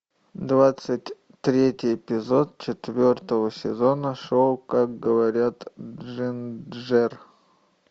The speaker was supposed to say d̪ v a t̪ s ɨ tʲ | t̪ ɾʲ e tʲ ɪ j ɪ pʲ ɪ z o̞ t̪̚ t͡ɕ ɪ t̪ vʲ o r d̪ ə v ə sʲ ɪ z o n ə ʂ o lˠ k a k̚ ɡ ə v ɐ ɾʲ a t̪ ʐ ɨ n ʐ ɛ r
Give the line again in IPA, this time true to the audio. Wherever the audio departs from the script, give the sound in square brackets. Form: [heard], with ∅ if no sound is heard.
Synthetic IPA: d̪ v a t̪ s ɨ tʲ | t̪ ɾʲ e tʲ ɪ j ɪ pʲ ɪ z o̞ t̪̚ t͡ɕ ɪ t̪ vʲ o r [t̪] ə v ə sʲ ɪ z o n ə ʂ o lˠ k a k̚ ɡ ə v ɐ ɾʲ a t̪ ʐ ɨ n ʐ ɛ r

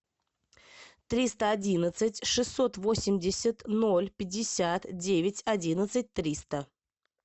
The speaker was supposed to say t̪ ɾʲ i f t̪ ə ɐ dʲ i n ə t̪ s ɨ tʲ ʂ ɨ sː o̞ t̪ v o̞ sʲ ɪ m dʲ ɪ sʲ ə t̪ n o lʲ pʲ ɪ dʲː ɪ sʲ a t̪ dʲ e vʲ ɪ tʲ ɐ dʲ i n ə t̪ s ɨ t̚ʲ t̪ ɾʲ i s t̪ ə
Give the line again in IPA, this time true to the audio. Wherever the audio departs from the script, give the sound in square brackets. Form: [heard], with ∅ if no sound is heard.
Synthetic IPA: t̪ ɾʲ i [s] t̪ ə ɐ dʲ i n ə t̪ s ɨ tʲ ʂ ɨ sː o̞ t̪ v o̞ sʲ ɪ m dʲ ɪ sʲ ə t̪ n o lʲ pʲ ɪ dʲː ɪ sʲ a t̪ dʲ e vʲ ɪ tʲ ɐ dʲ i n ə t̪ s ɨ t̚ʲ t̪ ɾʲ i s t̪ ə

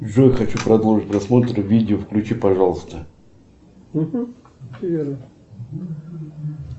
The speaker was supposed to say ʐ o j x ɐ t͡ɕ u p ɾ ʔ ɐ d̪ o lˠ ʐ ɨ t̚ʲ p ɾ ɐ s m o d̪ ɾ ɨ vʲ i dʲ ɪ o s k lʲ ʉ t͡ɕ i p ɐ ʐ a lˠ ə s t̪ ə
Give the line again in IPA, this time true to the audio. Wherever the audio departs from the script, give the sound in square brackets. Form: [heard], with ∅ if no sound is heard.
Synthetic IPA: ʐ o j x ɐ t͡ɕ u p ɾ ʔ ɐ d̪ o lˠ ʐ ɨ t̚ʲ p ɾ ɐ s m o [t̪] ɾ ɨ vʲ i dʲ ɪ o [f] k lʲ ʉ t͡ɕ i p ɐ ʐ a lˠ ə s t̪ ə

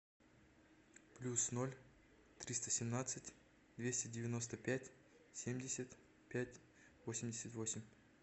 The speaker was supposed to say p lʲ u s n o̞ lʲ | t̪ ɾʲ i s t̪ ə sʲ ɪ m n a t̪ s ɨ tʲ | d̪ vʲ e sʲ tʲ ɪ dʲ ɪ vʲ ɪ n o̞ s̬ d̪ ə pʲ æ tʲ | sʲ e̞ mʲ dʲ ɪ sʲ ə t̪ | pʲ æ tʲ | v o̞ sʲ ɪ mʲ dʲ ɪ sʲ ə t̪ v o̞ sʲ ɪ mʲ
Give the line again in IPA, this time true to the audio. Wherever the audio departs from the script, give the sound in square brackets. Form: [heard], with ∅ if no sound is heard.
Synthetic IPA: p lʲ u s n o̞ lʲ | t̪ ɾʲ i s t̪ ə sʲ ɪ m n a t̪ s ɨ tʲ | d̪ vʲ e sʲ tʲ ɪ dʲ ɪ vʲ ɪ n o̞ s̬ [t̪] ə pʲ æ tʲ | sʲ e̞ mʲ dʲ ɪ sʲ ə t̪ | pʲ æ tʲ | v o̞ sʲ ɪ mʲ dʲ ɪ sʲ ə t̪ v o̞ sʲ ɪ mʲ

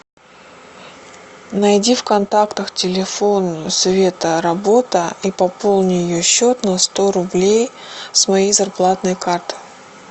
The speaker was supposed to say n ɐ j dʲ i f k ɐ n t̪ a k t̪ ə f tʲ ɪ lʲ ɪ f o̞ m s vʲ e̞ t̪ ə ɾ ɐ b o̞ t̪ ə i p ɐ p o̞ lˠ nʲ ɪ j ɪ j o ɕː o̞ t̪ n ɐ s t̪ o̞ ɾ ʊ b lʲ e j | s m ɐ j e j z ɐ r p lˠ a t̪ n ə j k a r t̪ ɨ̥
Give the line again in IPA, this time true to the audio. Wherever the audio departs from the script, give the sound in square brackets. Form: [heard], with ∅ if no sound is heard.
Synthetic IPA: n ɐ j dʲ i f k ɐ n t̪ a k t̪ ə [x] tʲ ɪ lʲ ɪ f o̞ [n] s vʲ e̞ t̪ ə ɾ ɐ b o̞ t̪ ə i p ɐ p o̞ lˠ nʲ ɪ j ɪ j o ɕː o̞ t̪ n ɐ s t̪ o̞ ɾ ʊ b lʲ e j | s m ɐ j e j z ɐ r p lˠ a t̪ n ə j k a r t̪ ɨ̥

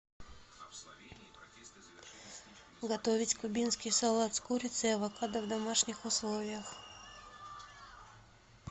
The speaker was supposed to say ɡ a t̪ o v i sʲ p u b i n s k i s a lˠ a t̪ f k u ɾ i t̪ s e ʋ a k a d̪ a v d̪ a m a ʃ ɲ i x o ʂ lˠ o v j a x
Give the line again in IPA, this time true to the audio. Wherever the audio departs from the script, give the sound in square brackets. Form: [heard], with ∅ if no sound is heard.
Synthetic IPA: ɡ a t̪ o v i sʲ [k] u b i n s k i s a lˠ a t̪ [s] k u ɾ i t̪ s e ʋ a k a d̪ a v d̪ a m a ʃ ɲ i x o [s] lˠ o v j a x

